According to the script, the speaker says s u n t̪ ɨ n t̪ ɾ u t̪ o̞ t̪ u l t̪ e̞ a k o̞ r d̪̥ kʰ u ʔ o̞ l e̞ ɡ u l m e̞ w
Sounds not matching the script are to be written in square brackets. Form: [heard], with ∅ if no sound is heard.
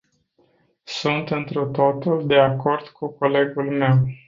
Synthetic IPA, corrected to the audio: s u n t̪ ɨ n t̪ ɾ u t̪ o̞ t̪ u l [d̪] e̞ a k o̞ r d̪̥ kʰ u [k] o̞ l e̞ ɡ u l m e̞ w